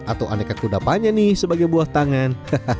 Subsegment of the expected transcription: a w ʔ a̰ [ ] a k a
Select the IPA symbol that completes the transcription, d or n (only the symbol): n